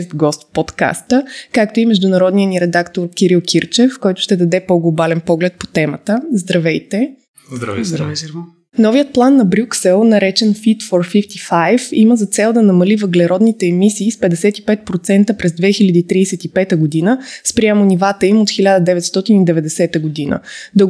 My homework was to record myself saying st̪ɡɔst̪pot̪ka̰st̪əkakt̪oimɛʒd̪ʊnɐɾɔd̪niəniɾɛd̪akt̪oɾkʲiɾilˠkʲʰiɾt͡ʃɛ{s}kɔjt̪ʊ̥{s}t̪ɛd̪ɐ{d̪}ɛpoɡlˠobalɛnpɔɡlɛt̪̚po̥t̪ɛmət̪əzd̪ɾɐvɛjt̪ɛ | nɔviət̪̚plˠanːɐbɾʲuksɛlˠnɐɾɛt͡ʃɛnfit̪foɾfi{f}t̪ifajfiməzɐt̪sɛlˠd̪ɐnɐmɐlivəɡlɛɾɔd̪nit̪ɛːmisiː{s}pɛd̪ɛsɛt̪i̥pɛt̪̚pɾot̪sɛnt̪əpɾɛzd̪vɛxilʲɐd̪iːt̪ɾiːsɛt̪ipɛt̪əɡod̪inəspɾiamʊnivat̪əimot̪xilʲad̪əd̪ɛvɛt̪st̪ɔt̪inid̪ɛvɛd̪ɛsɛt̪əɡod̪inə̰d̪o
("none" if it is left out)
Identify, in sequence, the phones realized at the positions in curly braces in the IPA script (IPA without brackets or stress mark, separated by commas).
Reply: f, ʃ, d̪, f, s